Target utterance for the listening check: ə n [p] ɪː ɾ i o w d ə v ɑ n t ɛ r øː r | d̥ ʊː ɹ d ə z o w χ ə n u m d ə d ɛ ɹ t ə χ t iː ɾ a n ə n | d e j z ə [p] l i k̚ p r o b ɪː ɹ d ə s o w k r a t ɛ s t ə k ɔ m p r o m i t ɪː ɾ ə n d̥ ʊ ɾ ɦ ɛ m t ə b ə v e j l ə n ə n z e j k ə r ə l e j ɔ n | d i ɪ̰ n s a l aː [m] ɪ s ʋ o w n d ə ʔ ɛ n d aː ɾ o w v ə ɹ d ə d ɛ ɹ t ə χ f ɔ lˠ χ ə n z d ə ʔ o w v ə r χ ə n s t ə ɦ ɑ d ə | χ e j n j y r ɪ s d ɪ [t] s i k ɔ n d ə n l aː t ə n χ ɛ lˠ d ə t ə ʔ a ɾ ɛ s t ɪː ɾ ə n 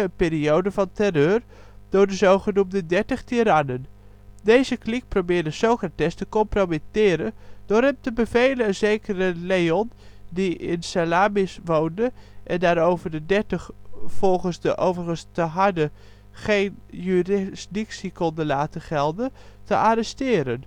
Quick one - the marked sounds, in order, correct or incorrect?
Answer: correct, incorrect: k, correct, incorrect: k

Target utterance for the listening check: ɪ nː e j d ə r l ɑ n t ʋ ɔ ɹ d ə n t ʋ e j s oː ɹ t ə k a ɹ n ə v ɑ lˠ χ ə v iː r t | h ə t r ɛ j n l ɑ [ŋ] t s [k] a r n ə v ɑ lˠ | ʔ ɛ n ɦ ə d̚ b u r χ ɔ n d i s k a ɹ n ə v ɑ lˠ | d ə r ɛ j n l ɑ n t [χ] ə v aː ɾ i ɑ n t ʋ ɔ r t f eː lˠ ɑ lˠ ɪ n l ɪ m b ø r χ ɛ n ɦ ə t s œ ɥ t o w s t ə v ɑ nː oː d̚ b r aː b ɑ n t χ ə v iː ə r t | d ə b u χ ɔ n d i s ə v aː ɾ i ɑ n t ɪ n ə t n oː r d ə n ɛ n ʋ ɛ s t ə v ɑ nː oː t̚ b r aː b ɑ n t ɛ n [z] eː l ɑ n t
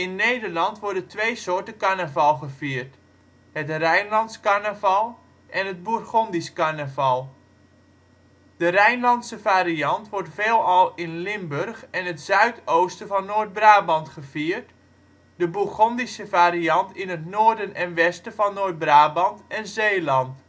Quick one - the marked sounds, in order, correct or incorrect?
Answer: incorrect: n, correct, incorrect: s, correct

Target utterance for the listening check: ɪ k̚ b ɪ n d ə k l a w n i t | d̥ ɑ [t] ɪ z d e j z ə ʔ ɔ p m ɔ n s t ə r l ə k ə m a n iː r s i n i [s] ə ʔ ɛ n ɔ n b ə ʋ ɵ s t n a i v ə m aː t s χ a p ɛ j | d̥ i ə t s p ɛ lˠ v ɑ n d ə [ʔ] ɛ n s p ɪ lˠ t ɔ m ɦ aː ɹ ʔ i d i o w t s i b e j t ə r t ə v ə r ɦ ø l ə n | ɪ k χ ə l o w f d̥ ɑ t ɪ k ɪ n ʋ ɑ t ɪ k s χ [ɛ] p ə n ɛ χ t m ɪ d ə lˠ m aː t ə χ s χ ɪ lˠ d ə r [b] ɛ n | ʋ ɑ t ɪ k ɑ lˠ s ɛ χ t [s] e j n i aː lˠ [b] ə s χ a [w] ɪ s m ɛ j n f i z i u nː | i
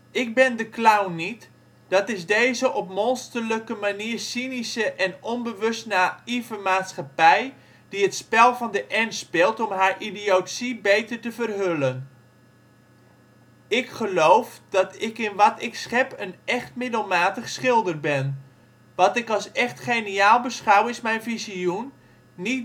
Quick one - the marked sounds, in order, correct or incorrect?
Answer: correct, correct, correct, correct, correct, incorrect: χ, correct, correct

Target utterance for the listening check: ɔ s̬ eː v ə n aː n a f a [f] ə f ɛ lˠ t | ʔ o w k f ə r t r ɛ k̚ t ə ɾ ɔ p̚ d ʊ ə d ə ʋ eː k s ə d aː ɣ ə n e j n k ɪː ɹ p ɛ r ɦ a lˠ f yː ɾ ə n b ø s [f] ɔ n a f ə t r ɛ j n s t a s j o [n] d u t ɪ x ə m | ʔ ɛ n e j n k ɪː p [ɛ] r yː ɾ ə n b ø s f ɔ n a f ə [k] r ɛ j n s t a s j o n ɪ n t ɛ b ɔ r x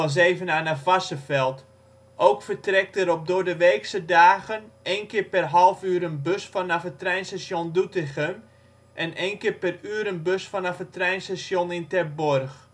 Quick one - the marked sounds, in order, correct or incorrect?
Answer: incorrect: s, correct, correct, correct, incorrect: t

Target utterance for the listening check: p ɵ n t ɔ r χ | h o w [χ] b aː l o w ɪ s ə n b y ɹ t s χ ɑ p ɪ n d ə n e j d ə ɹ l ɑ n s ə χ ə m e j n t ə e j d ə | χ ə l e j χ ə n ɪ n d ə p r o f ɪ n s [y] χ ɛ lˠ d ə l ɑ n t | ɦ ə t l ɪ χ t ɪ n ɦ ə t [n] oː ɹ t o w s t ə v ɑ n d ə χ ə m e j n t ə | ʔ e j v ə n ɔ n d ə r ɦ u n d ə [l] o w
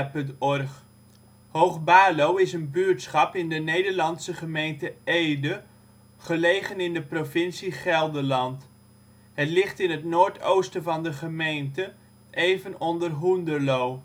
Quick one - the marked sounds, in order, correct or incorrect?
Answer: correct, incorrect: i, correct, correct

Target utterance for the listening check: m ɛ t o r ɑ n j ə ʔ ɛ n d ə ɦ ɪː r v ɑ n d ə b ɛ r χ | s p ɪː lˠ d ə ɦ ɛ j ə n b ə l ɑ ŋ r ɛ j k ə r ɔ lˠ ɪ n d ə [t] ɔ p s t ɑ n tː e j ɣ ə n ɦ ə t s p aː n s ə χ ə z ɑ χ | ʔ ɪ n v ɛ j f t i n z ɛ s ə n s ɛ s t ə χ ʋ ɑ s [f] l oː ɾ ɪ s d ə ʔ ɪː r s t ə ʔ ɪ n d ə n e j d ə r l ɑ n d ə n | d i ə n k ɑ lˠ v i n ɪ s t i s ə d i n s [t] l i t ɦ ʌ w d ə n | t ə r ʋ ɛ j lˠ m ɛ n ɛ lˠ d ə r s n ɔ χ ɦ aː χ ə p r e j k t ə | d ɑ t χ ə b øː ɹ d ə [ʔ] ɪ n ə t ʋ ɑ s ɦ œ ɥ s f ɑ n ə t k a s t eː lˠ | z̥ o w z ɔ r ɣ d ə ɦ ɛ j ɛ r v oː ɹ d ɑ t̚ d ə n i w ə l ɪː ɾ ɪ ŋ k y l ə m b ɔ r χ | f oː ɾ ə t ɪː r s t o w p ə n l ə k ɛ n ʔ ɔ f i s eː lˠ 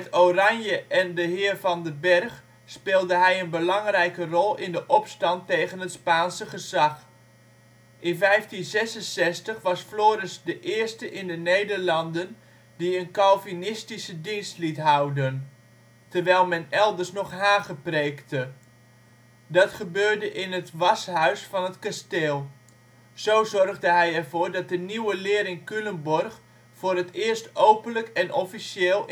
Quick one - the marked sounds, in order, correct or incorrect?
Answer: incorrect: ʔ, correct, correct, correct

